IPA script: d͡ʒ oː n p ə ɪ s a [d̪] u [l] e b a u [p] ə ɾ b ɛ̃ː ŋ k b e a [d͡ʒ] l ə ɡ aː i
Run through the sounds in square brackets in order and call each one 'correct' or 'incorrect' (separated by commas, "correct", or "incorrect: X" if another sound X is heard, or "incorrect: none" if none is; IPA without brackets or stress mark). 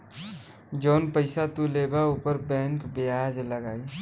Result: incorrect: t̪, correct, correct, correct